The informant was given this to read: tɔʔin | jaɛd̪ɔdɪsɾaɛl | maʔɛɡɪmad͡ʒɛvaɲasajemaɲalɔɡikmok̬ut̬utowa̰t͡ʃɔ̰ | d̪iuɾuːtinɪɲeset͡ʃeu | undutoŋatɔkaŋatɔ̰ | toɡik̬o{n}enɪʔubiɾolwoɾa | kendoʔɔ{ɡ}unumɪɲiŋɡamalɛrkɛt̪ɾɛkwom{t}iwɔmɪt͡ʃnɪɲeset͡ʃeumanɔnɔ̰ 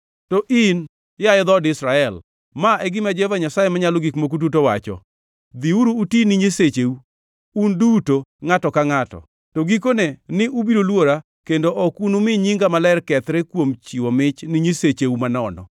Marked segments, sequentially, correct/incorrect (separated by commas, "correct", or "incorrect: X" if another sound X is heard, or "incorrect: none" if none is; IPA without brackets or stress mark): correct, incorrect: k, incorrect: t͡ʃ